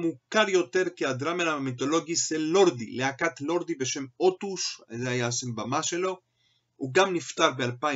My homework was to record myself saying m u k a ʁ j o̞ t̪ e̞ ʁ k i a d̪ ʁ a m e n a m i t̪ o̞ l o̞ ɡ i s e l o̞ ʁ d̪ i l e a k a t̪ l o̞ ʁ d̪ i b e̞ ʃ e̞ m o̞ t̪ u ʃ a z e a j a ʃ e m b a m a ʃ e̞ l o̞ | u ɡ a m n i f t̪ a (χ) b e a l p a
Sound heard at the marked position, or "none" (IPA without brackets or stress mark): ʁ